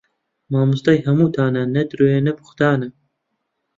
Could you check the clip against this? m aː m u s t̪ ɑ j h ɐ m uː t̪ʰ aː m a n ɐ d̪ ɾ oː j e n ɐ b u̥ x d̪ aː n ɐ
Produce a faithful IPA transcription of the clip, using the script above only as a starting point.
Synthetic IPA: m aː m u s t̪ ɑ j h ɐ m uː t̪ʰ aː n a n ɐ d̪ ɾ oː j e n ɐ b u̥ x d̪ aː n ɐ